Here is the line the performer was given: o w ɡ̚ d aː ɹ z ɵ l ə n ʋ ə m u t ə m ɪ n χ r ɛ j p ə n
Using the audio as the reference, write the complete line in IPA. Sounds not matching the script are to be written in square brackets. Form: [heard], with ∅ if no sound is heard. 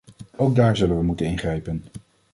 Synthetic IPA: o w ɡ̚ d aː ɹ z ɵ l ə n ʋ ə m u t ə [n] ɪ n χ r ɛ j p ə n